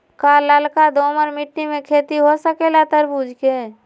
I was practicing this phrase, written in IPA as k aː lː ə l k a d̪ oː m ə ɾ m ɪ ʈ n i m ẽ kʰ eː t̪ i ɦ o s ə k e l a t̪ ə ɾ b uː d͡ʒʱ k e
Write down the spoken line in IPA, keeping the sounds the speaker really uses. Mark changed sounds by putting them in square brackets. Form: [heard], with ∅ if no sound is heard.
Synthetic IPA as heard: k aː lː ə l k a d̪ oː m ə ɾ m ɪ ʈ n i m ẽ kʰ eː t̪ i ɦ o s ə k e l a t̪ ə ɾ b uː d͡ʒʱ k e